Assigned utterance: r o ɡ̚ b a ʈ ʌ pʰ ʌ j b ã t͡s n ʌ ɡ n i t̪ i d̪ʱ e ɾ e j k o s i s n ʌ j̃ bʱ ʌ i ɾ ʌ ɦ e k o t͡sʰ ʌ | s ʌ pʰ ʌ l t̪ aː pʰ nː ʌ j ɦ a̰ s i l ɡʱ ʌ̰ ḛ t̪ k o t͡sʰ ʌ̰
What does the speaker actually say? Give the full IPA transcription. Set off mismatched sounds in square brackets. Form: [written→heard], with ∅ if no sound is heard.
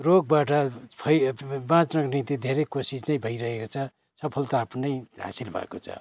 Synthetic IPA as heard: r o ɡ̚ b a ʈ ʌ pʰ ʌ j b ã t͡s n ʌ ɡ n i t̪ i d̪ʱ e ɾ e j k o s i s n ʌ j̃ bʱ ʌ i ɾ ʌ ɦ e k o t͡sʰ ʌ | s ʌ pʰ ʌ l t̪ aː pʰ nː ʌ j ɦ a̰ s i l [ɡʱ→bʱ] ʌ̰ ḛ [t̪→∅] k o t͡sʰ ʌ̰